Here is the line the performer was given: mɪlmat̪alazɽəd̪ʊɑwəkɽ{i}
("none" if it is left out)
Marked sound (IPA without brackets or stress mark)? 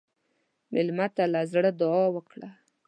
a